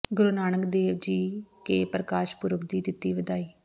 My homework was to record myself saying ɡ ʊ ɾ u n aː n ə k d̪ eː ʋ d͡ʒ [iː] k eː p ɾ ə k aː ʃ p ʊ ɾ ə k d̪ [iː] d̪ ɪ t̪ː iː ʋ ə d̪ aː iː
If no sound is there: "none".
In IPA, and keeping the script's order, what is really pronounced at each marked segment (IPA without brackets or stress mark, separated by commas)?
iː, iː